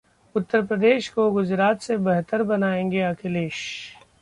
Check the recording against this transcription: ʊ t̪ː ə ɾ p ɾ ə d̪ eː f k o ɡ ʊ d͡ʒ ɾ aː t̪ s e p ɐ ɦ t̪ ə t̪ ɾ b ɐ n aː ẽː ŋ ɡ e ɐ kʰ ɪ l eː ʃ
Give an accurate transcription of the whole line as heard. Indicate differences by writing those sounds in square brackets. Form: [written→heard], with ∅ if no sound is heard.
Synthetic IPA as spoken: ʊ t̪ː ə ɾ p ɾ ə d̪ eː [f→ʃ] k o ɡ ʊ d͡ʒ ɾ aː t̪ s e [p→b] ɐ ɦ t̪ ə [t̪→∅] ɾ b ɐ n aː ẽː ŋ ɡ e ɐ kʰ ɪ l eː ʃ